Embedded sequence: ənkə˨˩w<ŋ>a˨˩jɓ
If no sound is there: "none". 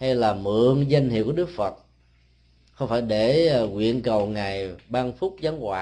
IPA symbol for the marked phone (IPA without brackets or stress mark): ŋ